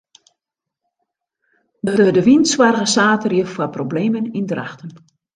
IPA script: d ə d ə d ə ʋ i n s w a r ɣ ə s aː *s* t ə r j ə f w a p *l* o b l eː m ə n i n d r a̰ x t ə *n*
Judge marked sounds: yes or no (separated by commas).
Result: no, no, yes